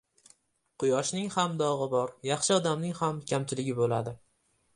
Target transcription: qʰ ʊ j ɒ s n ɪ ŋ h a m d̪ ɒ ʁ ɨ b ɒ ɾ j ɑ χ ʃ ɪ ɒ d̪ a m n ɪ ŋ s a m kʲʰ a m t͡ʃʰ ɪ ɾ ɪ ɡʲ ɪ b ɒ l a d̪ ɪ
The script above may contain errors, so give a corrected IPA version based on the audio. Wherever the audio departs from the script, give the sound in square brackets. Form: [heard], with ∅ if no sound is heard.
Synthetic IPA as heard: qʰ ʊ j ɒ [ʃ] n ɪ ŋ h a m d̪ ɒ ʁ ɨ b ɒ ɾ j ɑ χ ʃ ɪ ɒ d̪ a m n ɪ ŋ [h] a m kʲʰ a m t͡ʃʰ ɪ [l] ɪ ɡʲ ɪ b [o] l a d̪ ɪ